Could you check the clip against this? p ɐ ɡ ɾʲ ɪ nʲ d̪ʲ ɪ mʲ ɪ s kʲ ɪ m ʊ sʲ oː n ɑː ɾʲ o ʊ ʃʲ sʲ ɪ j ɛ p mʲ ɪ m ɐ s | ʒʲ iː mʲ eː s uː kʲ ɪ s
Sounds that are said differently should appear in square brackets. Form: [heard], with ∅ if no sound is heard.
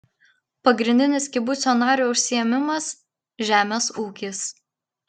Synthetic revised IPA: p ɐ ɡ ɾʲ ɪ nʲ d̪ʲ ɪ [nʲ] ɪ s kʲ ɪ [b] ʊ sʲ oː n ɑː ɾʲ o ʊ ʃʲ sʲ ɪ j ɛ [∅] mʲ ɪ m ɐ s | ʒʲ [æː] mʲ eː s uː kʲ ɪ s